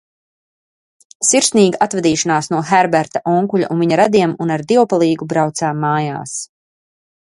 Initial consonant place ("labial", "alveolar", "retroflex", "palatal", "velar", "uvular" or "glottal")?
alveolar